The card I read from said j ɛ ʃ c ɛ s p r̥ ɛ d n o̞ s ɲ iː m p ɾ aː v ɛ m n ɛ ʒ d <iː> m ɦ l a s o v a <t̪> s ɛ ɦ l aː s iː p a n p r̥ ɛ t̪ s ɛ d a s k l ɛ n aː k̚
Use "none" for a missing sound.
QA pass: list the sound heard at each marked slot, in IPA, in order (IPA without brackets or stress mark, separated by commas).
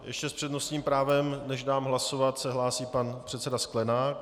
aː, t̪